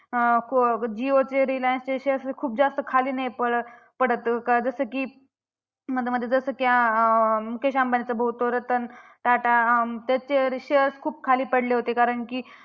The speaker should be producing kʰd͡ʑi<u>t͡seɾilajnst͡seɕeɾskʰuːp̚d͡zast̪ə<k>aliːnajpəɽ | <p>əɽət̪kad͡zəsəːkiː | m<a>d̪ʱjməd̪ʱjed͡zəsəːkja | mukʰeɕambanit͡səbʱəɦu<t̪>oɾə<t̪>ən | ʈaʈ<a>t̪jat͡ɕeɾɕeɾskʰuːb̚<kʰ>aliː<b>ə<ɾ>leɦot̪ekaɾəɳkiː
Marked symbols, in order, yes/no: no, no, yes, no, yes, yes, yes, yes, no, no

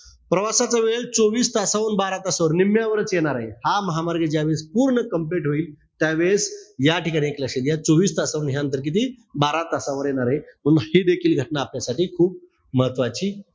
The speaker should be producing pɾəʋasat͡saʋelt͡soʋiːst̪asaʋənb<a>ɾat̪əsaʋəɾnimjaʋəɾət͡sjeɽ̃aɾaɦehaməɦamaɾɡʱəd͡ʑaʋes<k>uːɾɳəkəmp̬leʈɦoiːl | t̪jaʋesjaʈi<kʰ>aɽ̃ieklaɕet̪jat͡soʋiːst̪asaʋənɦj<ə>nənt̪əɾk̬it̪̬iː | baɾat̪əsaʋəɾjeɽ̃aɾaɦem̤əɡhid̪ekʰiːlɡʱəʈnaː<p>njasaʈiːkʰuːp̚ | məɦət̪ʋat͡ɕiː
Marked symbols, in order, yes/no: yes, no, no, no, yes

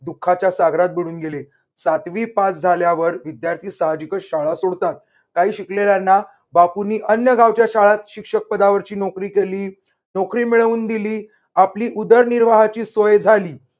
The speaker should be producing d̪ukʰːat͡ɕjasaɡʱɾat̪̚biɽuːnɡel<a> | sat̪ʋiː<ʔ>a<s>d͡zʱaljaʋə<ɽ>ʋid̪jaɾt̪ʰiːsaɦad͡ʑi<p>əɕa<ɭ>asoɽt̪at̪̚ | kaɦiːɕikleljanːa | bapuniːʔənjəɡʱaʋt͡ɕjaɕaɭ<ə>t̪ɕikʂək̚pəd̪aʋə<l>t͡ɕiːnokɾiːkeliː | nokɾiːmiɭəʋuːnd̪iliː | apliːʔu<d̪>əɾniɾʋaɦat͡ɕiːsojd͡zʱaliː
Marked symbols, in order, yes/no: no, no, no, no, no, yes, no, no, yes

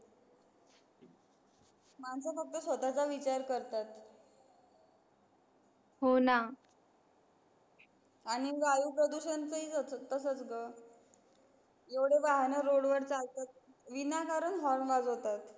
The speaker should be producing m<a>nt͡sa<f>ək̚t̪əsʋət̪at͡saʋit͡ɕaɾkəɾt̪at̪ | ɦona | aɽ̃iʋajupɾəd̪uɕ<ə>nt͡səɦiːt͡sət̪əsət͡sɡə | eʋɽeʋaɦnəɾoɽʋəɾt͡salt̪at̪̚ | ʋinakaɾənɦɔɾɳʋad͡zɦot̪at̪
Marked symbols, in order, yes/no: yes, yes, yes

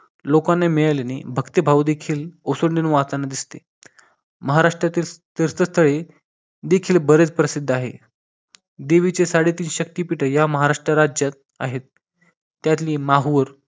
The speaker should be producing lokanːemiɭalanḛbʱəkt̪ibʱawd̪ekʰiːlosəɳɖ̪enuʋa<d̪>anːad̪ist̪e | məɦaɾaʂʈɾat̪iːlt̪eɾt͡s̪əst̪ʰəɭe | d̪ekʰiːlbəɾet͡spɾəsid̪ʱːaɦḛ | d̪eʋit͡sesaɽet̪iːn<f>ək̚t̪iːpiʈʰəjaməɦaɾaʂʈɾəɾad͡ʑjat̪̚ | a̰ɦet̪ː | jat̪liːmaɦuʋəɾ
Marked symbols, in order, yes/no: no, no

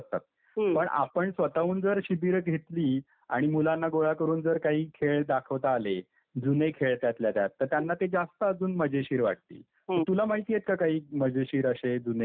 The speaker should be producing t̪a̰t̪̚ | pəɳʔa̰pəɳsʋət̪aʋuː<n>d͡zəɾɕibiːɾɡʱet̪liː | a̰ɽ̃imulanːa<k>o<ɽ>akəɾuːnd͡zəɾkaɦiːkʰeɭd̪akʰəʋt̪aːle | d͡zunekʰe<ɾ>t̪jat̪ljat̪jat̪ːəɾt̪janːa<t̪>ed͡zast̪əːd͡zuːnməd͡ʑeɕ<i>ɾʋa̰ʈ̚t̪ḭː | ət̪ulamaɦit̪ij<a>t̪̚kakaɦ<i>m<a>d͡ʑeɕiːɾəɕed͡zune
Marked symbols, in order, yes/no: yes, no, no, no, yes, no, no, no, no

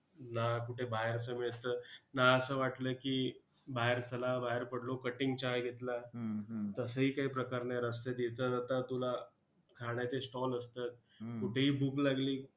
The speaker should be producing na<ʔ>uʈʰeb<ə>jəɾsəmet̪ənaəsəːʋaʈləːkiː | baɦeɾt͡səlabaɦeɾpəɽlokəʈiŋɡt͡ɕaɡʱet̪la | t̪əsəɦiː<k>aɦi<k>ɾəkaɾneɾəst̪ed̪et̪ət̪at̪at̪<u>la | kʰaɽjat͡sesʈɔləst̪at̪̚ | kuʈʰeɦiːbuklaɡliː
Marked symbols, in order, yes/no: no, no, yes, no, yes

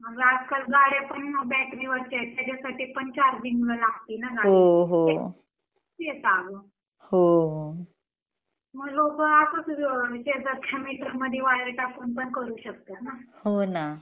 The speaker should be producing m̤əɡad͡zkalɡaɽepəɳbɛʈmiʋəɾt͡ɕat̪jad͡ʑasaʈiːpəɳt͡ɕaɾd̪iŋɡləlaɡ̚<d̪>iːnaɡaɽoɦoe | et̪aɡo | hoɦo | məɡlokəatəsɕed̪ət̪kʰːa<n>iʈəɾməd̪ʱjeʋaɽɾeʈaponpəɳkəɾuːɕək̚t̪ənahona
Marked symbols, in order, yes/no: no, no

